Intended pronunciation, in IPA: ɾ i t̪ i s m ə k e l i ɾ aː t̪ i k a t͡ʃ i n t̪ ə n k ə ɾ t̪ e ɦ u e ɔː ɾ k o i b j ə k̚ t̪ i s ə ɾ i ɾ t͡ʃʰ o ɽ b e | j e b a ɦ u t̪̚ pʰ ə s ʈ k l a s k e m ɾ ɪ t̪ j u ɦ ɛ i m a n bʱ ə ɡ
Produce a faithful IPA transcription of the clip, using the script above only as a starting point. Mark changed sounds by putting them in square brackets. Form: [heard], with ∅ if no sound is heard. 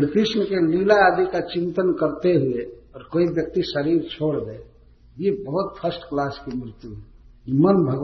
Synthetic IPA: ɾ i t̪ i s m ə k e l i [l] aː [d̪] i k a t͡ʃ i n t̪ ə n k ə ɾ t̪ e ɦ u e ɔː ɾ k o i b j ə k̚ t̪ i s ə ɾ i ɾ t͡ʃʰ o ɽ b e | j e b [ə] ɦ u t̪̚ pʰ ə s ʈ k l a s k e m ɾ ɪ t̪ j u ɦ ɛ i m [ə] n bʱ ə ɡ